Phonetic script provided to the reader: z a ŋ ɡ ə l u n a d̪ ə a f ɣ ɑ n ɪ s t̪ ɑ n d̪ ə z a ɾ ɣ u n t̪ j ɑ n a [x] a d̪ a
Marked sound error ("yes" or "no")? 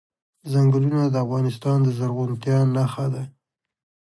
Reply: no